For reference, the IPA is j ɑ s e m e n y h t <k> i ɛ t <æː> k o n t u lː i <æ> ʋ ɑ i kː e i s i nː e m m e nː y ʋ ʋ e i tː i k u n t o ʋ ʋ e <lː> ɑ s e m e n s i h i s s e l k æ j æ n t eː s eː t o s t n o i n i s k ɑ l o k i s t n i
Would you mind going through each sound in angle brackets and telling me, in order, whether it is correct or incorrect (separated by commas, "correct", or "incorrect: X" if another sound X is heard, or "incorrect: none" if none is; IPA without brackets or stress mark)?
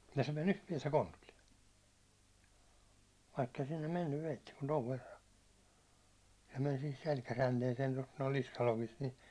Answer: incorrect: p, incorrect: æ, incorrect: e, incorrect: rː